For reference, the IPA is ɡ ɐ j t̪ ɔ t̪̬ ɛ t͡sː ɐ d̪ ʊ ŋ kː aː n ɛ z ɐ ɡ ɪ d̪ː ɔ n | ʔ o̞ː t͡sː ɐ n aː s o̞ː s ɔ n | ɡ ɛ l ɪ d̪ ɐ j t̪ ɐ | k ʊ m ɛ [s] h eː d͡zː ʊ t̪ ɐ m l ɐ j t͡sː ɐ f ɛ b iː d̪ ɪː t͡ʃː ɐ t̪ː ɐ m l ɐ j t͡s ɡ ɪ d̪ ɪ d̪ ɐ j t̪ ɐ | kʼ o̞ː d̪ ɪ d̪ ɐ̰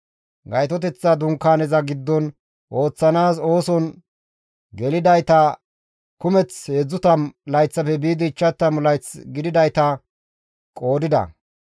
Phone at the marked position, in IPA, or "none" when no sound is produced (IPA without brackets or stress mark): t͡s